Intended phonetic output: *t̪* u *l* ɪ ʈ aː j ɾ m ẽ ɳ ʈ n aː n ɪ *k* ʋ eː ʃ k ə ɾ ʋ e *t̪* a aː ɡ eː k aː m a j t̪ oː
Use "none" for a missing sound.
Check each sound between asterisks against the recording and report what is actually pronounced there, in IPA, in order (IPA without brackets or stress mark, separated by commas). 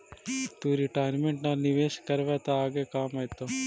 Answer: t̪, ɾ, none, t̪